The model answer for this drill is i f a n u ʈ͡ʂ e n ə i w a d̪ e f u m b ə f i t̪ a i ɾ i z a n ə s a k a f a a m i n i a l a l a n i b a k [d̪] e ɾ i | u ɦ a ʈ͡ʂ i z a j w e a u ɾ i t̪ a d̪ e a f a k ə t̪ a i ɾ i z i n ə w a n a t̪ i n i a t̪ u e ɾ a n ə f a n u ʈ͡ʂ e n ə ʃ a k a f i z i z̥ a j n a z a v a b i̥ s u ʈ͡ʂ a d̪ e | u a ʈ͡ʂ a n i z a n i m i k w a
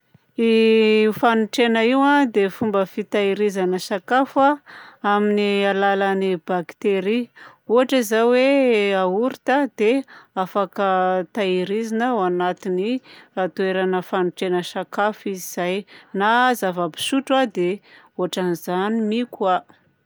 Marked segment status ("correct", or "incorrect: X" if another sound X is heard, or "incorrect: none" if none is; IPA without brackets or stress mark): incorrect: t̪